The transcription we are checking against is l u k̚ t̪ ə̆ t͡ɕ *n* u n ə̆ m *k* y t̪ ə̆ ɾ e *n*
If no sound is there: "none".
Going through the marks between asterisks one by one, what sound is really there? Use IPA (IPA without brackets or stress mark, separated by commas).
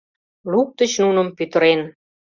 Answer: n, p, n